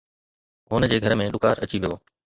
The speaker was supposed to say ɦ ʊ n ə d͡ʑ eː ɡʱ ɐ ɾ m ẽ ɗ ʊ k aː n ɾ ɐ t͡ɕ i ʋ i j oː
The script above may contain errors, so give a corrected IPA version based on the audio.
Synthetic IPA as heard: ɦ ʊ n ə d͡ʑ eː ɡʱ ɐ ɾ m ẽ ɗ ʊ k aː ɾ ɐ t͡ɕ i ʋ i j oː